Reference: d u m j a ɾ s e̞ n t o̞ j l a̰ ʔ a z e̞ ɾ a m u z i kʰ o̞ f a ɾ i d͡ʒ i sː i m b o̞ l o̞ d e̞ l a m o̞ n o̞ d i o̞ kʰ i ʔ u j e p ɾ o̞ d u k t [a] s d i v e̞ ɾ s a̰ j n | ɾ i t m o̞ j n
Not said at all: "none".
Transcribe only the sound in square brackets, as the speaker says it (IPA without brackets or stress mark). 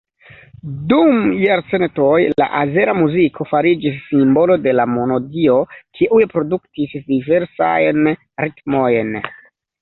i